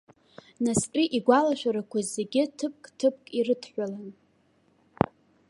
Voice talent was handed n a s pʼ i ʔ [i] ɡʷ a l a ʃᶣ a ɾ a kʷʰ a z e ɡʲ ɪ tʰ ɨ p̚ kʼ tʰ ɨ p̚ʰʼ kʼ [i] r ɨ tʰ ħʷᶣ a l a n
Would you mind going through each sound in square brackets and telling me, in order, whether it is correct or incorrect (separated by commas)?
correct, correct